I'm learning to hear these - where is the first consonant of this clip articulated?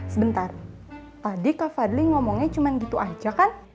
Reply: tongue tip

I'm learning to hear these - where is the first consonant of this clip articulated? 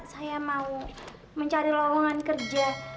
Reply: tongue tip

